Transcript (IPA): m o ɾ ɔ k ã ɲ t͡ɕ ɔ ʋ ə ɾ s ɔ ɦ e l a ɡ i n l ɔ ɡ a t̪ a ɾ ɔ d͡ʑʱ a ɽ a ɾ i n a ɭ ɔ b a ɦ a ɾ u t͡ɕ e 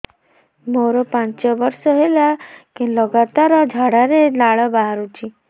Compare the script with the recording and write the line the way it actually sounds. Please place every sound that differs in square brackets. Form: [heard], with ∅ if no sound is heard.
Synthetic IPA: m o ɾ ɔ [p] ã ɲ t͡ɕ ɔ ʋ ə ɾ s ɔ ɦ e l a [k] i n l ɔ ɡ a t̪ a ɾ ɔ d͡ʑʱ a ɽ a ɾ [e] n a ɭ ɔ b a ɦ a ɾ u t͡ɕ [i]